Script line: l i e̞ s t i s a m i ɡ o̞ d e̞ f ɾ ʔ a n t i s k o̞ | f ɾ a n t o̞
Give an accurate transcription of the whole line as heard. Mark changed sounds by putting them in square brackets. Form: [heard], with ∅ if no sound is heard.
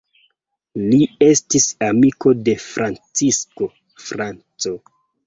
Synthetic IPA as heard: l i e̞ s t i s a m i [k] o̞ d e̞ f ɾ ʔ a n [t͡s] i s k o̞ | f ɾ a n [t͡s] o̞